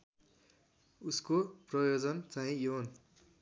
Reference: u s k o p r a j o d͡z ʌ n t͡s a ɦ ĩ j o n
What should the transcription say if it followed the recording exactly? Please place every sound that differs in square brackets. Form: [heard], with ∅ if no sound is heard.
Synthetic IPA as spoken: u s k o p r [ʌ] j o d͡z ʌ n t͡s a ɦ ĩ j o n